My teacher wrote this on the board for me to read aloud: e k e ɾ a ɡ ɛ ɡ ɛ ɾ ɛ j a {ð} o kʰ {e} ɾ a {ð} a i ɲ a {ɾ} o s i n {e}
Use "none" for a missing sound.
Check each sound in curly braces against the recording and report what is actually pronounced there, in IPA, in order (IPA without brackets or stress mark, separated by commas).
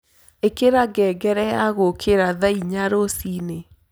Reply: ɣ, e, ð, ɾ, e